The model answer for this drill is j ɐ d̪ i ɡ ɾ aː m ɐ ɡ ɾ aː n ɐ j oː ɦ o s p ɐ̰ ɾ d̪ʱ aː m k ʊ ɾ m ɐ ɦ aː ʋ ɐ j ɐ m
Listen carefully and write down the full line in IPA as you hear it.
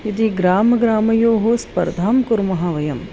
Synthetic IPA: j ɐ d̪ i ɡ ɾ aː m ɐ ɡ ɾ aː m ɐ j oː ɦ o s p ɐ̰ ɾ d̪ʱ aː m k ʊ ɾ m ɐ ɦ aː ʋ ɐ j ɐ m